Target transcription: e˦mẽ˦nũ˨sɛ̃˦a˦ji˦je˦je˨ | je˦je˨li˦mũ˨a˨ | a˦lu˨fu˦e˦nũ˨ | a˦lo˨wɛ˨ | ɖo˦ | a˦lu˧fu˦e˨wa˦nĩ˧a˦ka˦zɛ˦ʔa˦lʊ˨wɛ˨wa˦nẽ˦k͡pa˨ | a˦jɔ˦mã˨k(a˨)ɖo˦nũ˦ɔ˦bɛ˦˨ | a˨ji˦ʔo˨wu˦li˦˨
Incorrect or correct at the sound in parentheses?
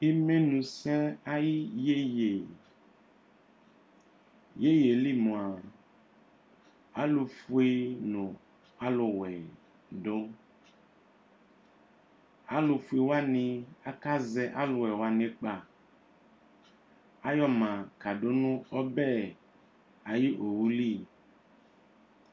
correct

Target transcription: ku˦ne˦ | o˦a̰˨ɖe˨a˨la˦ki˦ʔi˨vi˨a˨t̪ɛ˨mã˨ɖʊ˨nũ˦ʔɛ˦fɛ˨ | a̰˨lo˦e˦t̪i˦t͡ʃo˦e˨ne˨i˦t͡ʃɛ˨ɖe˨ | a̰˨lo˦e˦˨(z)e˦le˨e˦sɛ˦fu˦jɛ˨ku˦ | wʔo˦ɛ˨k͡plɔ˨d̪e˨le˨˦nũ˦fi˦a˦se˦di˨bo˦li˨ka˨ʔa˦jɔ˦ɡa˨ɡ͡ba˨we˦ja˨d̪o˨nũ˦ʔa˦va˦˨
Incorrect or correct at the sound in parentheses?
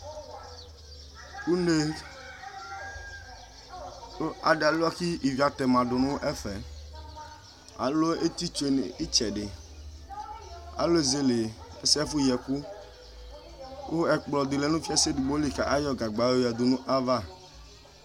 correct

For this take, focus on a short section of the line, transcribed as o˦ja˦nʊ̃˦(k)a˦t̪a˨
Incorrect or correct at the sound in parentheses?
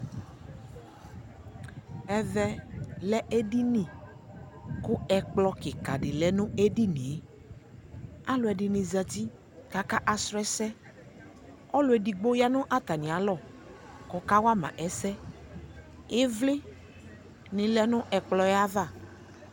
incorrect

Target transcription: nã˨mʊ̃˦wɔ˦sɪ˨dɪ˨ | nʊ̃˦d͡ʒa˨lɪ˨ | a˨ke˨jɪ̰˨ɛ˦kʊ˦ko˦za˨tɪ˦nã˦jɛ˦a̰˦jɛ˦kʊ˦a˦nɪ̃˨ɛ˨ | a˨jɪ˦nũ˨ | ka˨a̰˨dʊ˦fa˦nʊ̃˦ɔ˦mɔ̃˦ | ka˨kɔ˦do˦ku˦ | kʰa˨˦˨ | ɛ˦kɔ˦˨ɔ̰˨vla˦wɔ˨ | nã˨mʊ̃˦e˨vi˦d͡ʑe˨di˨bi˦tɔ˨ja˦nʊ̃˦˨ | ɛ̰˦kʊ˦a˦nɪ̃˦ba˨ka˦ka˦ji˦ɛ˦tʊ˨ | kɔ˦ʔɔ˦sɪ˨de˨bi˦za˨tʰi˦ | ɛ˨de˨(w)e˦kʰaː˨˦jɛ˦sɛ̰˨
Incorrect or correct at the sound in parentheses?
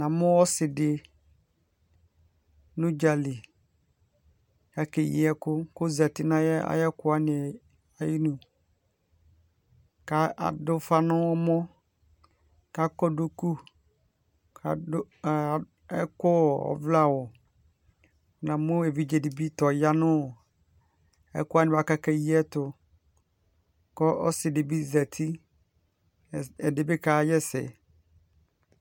incorrect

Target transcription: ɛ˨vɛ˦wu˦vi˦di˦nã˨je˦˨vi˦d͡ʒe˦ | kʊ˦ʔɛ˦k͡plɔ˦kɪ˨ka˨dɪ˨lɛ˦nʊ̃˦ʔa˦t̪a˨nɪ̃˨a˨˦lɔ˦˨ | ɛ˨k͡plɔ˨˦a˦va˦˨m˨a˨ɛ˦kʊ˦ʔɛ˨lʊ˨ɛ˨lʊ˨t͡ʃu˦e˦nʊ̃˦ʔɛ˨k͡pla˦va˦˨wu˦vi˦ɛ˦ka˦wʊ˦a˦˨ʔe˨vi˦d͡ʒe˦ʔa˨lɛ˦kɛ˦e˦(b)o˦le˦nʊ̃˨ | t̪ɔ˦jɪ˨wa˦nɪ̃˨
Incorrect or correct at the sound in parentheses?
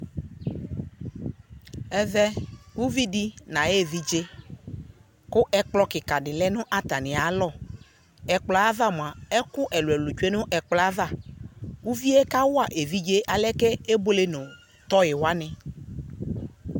correct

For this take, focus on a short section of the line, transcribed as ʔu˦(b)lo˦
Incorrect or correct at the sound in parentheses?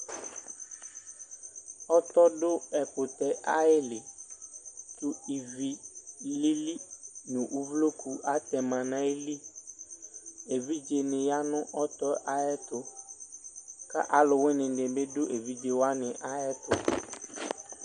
incorrect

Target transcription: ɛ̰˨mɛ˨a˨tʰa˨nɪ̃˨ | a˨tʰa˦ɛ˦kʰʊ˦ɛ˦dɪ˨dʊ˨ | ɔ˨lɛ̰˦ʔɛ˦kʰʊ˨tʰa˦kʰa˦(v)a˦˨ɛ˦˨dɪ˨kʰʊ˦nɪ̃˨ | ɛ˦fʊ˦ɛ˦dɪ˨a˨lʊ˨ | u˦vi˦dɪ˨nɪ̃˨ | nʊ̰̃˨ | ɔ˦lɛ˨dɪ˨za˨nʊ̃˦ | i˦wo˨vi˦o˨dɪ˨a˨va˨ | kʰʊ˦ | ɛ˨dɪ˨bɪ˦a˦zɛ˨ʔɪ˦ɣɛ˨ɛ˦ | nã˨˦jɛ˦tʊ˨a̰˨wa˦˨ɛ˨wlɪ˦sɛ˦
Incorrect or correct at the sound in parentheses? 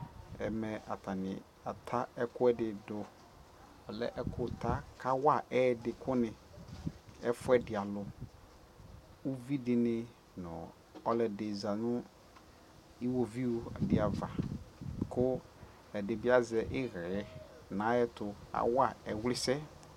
incorrect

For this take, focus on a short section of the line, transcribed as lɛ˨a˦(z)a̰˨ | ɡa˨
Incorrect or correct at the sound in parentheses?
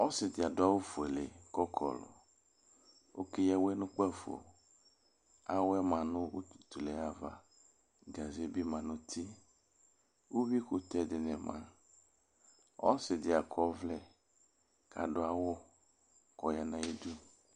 incorrect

